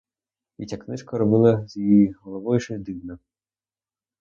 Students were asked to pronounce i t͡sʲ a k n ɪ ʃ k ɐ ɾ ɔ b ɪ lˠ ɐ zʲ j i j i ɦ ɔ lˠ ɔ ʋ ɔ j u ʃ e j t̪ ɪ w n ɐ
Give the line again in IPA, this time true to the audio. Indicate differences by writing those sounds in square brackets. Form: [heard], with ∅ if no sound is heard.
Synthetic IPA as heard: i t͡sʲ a k n ɪ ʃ k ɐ ɾ ɔ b ɪ lˠ ɐ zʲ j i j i ɦ ɔ lˠ ɔ ʋ ɔ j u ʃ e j [d̪] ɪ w n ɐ

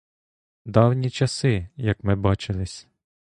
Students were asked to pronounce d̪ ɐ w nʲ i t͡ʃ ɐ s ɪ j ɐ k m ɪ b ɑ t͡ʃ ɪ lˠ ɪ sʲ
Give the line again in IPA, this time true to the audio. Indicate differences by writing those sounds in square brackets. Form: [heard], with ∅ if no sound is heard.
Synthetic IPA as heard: d̪ [ɑ] w nʲ i t͡ʃ ɐ s ɪ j ɐ k m ɪ b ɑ t͡ʃ ɪ lˠ ɪ sʲ

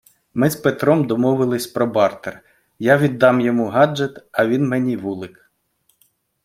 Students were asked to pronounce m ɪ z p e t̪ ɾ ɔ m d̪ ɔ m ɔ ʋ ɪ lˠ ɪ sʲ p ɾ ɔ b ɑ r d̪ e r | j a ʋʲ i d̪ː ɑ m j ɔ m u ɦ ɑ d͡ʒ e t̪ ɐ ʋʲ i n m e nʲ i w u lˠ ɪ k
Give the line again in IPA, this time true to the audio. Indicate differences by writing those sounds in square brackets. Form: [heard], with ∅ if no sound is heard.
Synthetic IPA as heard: m ɪ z p e t̪ ɾ ɔ m d̪ ɔ m ɔ ʋ ɪ lˠ ɪ sʲ p ɾ ɔ b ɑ r [t̪] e r | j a ʋʲ i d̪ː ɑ m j ɔ m u ɦ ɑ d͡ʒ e t̪ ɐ ʋʲ i n m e nʲ i [ʋ] u lˠ ɪ k

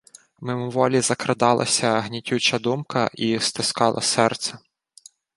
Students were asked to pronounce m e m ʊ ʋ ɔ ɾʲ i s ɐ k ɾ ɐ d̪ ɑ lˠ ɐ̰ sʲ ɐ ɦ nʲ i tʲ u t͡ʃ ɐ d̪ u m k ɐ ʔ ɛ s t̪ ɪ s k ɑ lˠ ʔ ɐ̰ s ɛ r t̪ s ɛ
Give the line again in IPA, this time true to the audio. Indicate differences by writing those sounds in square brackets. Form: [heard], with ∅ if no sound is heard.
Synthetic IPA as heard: m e m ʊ ʋ ɔ [lʲ] i [z] ɐ k ɾ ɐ d̪ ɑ lˠ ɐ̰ sʲ ɐ ɦ nʲ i tʲ u t͡ʃ ɐ d̪ u m k ɐ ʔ [i] s t̪ ɪ s k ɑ lˠ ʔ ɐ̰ s ɛ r t̪ s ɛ

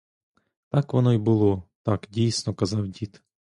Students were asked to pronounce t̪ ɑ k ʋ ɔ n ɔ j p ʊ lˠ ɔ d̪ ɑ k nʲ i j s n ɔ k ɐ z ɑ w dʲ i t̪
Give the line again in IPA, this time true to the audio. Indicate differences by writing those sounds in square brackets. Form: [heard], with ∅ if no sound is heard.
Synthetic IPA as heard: t̪ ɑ k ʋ ɔ n ɔ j [b] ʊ lˠ ɔ [t̪] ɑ k [dʲ] i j s n ɔ k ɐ z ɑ w dʲ i t̪

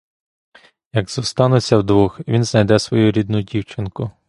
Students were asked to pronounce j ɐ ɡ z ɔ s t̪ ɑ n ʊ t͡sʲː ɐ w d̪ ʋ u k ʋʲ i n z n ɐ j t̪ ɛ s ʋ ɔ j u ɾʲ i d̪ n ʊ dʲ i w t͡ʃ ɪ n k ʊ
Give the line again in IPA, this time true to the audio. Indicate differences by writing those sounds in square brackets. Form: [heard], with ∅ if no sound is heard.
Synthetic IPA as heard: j ɐ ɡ z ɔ s t̪ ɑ n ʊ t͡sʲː ɐ w d̪ ʋ u [x] ʋʲ i n z n ɐ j [d̪] ɛ s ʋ ɔ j u ɾʲ i d̪ n ʊ dʲ i w t͡ʃ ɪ n k ʊ

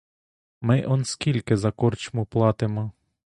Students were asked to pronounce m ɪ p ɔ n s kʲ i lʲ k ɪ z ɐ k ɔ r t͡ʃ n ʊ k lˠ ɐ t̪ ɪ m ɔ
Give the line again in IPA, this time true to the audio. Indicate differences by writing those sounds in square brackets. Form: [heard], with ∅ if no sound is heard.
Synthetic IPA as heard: m ɪ [ʔ] ɔ n s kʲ i lʲ k ɪ z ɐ k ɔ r t͡ʃ [m] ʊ [p] lˠ [ɑ] t̪ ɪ m ɔ

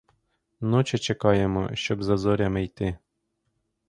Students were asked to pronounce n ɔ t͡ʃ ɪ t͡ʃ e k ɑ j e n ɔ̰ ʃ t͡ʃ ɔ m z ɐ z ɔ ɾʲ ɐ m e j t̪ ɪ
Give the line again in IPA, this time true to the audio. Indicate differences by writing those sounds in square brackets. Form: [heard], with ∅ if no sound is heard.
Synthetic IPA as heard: n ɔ t͡ʃ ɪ t͡ʃ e k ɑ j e [m] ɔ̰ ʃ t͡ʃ ɔ [b] z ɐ z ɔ ɾʲ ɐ m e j t̪ ɪ

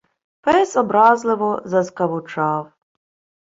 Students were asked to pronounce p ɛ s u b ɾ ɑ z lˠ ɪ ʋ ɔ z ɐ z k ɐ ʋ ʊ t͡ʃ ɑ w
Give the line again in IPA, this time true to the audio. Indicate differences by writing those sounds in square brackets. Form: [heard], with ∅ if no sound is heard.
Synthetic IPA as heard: p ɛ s [ɔ] b ɾ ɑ z lˠ ɪ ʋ ɔ z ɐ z k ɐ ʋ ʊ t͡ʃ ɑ w

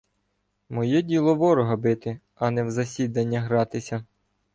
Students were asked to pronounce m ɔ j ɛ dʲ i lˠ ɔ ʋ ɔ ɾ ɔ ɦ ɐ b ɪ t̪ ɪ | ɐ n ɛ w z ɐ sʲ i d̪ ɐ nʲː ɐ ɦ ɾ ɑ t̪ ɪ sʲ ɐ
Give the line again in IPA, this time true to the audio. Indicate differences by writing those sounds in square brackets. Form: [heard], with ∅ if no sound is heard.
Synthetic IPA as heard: m ɔ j ɛ dʲ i lˠ ɔ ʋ ɔ ɾ ɔ ɦ ɐ b ɪ t̪ ɪ | ɐ n ɛ w z ɐ sʲ i d̪ ɐ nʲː ɐ ɦ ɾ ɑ t̪ ɪ sʲ ɐ

